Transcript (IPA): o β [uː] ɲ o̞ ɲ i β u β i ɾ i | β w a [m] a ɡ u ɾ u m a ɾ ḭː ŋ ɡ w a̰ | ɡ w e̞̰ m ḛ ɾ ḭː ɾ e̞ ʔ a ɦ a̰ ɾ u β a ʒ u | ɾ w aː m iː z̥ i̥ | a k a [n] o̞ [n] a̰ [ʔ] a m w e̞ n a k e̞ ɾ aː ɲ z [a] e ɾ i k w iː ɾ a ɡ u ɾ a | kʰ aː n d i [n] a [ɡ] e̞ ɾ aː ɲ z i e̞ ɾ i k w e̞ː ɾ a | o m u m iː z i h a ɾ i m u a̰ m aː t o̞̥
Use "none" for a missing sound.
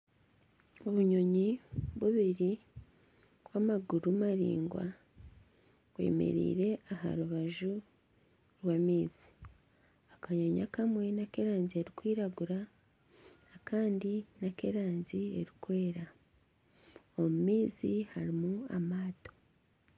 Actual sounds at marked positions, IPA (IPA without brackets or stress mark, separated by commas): u, m, ɲ, ɲ, k, i, n, k